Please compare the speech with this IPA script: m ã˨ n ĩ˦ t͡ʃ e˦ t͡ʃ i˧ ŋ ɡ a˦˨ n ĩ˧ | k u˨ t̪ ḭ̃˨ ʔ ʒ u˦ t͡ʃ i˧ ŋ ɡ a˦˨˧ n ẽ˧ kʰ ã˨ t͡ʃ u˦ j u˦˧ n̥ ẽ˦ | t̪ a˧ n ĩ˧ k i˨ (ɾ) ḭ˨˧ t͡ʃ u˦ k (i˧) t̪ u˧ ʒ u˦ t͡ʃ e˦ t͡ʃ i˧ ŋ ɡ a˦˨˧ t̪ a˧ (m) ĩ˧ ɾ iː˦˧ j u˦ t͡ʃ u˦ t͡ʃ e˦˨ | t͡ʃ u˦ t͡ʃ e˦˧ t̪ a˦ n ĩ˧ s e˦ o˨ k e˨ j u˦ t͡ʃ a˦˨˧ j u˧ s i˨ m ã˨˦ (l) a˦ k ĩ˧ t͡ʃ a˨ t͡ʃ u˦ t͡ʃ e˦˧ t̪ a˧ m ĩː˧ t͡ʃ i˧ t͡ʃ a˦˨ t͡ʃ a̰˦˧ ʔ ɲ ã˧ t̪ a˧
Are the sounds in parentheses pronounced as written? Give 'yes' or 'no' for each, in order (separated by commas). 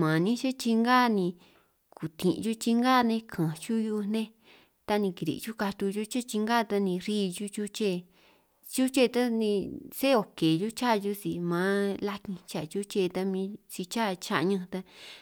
yes, no, no, yes